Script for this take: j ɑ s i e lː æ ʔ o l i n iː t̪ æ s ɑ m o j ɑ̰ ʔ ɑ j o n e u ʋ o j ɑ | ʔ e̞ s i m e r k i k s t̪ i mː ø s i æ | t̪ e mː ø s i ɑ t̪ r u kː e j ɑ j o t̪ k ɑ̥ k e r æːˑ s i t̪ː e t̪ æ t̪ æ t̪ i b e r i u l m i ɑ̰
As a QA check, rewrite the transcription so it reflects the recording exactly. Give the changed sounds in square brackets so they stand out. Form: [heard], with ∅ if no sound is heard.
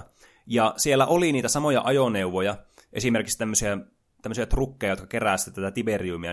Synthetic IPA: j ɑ s i e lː æ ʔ o l i n iː t̪ æ s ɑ m o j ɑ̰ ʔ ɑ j o n e u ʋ o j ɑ | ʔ e̞ s i m e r k i k s t̪ [æ] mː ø s i æ | t̪ [æ] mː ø s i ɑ t̪ r u kː e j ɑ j o t̪ k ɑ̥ k e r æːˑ s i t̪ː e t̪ æ t̪ æ t̪ i b e r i u [∅] m i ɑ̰